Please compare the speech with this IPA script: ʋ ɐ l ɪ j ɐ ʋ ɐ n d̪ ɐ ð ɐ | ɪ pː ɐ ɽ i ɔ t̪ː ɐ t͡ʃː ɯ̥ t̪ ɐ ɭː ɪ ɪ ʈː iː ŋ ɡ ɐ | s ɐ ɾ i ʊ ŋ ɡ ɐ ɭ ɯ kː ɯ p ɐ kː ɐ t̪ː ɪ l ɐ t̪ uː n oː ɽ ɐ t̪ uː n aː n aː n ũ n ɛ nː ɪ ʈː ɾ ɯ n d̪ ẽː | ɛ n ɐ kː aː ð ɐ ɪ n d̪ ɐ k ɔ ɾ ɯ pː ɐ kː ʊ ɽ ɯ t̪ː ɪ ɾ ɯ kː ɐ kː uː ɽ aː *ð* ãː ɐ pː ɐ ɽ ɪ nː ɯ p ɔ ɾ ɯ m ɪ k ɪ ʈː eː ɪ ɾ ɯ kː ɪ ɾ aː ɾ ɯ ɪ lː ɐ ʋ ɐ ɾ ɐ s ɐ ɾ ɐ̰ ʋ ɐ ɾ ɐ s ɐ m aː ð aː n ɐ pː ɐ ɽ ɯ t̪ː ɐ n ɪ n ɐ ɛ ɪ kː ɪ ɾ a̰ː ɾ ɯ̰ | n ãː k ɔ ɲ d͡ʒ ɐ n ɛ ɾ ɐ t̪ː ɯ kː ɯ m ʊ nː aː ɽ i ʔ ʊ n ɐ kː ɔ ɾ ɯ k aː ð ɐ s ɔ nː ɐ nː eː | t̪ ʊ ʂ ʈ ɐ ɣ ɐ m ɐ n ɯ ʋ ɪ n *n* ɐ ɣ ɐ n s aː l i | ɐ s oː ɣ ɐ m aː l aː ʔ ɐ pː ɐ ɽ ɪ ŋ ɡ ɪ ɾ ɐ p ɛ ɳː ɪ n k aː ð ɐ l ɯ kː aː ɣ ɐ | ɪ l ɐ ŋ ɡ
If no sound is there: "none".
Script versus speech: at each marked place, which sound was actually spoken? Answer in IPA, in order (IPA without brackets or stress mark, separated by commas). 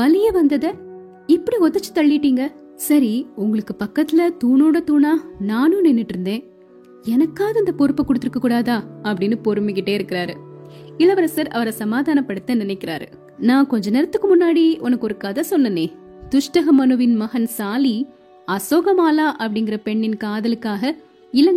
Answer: ð, m